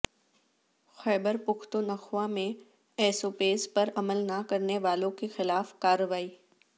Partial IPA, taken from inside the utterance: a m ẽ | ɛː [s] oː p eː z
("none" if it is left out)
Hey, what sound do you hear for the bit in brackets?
s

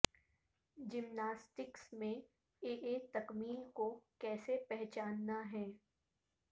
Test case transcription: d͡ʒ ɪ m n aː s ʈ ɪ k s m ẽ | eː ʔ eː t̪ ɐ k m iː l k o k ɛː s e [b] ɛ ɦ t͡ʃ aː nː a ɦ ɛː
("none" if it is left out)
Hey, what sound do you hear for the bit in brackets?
p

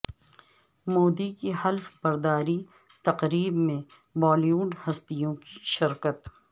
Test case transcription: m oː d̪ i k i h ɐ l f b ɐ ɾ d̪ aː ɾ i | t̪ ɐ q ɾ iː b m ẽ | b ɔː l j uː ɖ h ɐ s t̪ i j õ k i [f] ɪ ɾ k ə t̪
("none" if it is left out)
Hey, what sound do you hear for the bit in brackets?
ʃ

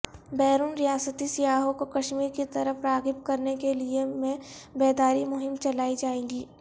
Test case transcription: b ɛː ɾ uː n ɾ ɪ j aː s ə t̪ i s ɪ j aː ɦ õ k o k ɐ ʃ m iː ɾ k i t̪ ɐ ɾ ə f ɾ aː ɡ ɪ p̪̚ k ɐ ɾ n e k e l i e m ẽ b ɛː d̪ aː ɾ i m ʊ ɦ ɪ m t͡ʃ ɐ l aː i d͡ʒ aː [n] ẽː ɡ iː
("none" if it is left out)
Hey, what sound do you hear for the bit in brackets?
none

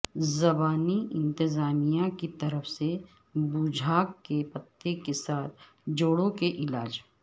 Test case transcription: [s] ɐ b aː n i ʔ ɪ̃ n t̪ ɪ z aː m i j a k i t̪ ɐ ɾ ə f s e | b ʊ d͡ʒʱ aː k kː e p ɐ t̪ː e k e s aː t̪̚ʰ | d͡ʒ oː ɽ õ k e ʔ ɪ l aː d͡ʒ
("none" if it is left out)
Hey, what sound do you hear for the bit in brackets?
z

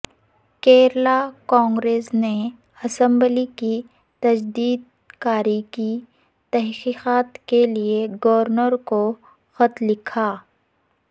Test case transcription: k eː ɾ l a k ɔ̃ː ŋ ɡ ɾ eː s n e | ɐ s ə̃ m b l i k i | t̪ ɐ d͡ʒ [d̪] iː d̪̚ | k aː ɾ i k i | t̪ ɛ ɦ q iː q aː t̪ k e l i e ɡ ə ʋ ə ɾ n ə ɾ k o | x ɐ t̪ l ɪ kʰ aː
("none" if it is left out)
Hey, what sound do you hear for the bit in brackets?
d̪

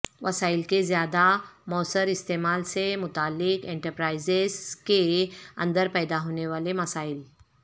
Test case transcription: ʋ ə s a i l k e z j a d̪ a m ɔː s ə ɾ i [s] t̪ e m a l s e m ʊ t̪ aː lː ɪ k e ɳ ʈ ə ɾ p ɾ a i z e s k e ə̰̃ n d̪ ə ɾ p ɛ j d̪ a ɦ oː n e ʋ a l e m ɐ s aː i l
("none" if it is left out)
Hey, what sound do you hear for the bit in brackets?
s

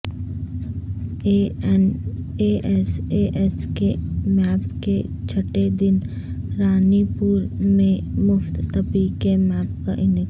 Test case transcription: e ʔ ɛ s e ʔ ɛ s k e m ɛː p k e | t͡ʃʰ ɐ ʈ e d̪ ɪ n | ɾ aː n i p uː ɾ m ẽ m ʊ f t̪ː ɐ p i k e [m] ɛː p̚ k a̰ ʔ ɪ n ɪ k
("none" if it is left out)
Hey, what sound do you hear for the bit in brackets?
m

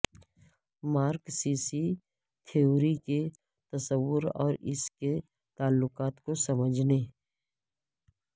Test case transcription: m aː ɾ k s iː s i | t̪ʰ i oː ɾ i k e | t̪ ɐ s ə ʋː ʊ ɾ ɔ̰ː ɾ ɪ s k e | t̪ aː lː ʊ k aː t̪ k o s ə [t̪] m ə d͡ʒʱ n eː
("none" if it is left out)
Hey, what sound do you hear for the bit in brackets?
none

